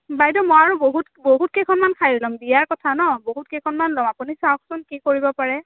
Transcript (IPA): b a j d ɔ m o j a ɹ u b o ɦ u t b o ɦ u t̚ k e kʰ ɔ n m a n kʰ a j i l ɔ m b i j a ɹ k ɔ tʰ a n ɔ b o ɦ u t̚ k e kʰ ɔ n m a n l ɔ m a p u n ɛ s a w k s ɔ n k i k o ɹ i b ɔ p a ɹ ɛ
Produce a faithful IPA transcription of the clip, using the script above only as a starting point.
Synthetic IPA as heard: b a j d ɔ m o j a ɹ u b o ɦ u t b o ɦ u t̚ k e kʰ ɔ n m a n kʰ a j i l ɔ m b i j a ɹ k ɔ tʰ a n ɔ b o ɦ u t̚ k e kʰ ɔ n m a n l ɔ m a p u n i s a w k s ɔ n k i k o ɹ i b ɔ p a ɹ ɛ